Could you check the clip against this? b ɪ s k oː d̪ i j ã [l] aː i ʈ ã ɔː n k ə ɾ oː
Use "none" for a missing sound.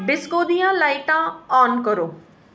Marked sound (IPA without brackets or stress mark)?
l